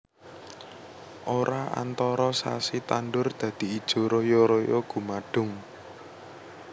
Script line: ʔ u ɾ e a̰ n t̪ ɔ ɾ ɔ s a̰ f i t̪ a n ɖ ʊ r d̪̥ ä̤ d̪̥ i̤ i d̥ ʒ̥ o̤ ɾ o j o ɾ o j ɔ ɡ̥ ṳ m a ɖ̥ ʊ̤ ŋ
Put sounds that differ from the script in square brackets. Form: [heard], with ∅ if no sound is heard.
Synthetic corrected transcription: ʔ [o] ɾ [a] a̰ n t̪ ɔ ɾ ɔ s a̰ [s] i t̪ a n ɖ ʊ r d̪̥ ä̤ d̪̥ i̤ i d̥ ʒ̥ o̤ ɾ o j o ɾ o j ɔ ɡ̥ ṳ m a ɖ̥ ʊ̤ ŋ